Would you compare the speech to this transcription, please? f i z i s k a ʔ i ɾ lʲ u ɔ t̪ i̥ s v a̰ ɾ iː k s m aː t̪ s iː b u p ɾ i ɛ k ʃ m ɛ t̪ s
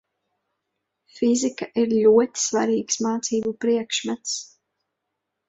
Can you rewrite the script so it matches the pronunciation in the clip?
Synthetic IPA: f i z i k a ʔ i ɾ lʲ u ɔ t̪ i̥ s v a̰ ɾ iː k s m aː t̪ s iː b u p ɾ i ɛ k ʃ m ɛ t̪ s